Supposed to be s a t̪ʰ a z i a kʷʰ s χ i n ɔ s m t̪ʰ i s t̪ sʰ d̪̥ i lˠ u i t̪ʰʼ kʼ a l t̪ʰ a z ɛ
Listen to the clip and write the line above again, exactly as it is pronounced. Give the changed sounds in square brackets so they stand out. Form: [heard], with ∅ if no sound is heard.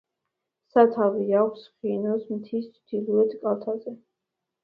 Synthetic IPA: s a t̪ʰ a [v] i a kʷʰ s χ i n ɔ s m t̪ʰ i s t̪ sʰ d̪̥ i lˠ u [ɛ] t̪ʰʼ kʼ a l t̪ʰ a z ɛ